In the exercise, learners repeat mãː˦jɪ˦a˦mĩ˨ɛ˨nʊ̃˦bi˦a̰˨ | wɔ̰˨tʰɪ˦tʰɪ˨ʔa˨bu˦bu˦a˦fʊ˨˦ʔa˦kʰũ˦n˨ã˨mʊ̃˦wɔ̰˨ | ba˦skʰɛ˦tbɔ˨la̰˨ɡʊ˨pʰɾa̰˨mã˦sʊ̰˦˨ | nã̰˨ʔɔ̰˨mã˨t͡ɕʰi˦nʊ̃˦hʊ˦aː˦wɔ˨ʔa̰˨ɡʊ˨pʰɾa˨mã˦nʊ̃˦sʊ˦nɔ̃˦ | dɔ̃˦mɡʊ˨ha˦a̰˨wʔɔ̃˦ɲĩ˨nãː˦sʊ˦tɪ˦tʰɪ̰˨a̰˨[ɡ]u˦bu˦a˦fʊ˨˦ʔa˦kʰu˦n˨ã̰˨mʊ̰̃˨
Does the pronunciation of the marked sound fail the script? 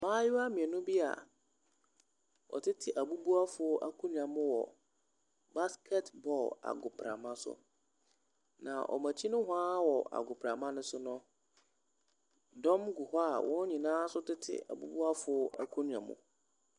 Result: yes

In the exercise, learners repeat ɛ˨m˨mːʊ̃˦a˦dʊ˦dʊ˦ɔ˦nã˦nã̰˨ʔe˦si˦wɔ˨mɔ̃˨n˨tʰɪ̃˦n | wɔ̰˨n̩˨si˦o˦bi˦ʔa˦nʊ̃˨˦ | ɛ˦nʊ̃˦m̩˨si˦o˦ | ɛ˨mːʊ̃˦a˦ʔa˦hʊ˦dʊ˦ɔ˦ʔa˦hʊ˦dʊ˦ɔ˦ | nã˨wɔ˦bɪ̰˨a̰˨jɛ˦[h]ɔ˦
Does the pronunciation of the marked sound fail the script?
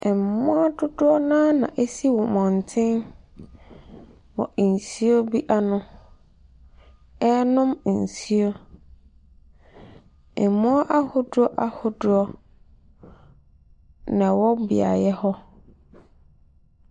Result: no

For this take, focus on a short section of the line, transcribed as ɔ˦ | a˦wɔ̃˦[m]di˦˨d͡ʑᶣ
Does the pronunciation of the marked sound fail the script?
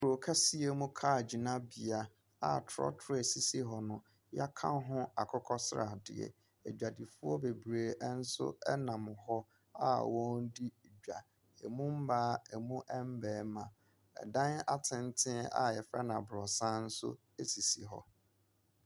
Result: yes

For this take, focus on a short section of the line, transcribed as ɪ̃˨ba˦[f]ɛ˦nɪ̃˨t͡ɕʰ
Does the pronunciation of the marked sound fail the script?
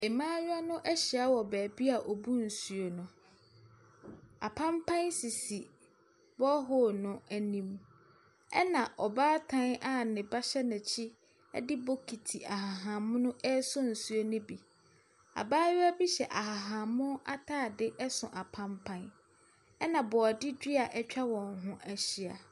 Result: yes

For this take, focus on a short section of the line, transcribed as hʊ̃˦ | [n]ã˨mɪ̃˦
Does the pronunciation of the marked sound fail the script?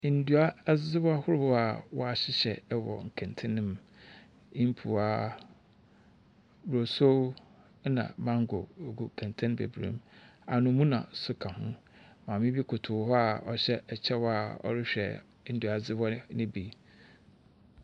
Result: yes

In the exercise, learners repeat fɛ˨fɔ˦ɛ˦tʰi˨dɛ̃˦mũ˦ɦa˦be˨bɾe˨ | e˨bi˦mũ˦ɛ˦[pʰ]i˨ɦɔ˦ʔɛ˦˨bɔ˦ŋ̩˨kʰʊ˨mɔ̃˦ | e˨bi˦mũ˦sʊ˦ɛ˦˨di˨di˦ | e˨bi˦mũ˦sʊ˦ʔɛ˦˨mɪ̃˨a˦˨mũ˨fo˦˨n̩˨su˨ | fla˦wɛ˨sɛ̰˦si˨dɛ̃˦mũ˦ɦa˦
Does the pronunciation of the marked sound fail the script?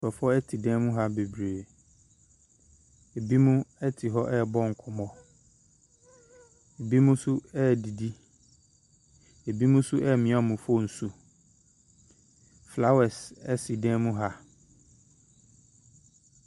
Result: yes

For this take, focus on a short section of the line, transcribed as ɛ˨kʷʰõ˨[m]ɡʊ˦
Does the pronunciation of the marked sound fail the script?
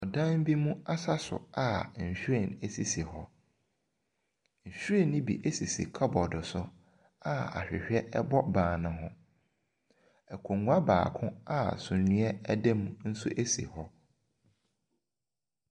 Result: yes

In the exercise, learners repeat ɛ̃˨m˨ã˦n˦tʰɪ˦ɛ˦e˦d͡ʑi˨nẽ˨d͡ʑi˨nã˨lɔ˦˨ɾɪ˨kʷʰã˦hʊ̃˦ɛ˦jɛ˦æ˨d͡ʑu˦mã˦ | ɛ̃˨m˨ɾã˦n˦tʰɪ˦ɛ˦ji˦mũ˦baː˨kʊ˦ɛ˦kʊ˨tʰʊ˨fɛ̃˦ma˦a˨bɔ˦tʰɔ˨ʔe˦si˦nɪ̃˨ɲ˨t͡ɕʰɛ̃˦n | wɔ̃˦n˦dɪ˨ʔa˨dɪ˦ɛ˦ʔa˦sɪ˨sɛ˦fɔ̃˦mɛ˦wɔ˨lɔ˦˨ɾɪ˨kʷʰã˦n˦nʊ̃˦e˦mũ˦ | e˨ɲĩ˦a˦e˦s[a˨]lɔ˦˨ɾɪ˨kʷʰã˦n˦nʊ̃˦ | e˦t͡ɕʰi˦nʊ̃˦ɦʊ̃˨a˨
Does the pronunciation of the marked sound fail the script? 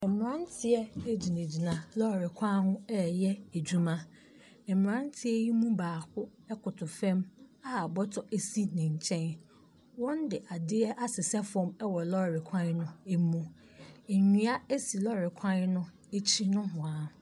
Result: yes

